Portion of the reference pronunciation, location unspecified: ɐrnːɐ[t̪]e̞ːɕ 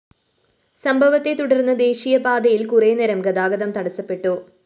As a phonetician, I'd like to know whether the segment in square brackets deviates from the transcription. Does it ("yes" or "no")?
yes